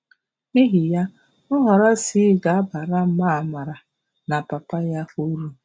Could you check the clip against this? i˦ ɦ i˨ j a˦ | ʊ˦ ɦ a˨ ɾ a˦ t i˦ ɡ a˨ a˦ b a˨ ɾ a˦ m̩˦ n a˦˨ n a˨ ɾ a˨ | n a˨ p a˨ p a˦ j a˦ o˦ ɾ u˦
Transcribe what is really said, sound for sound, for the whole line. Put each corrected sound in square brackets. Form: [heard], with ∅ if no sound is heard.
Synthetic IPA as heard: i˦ ɦ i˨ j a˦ | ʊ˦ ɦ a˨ ɾ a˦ [s] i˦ ɡ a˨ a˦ b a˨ ɾ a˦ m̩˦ [m] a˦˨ [m] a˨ ɾ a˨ | n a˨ p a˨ p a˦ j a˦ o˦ ɾ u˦